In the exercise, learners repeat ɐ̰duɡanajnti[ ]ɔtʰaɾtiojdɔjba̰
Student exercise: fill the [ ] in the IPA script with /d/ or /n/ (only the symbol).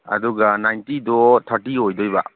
d